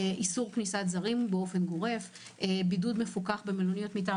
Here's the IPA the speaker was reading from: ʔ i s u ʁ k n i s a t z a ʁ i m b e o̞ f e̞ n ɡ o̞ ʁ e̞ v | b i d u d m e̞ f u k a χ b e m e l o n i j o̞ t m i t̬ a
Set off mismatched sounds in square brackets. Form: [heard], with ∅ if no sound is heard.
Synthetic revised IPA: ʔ i s u ʁ k n i s a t z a ʁ i m b e o̞ f e̞ n ɡ o̞ ʁ e̞ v | b i d u d m e̞ f u k a χ b e m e l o n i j o̞ t m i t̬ a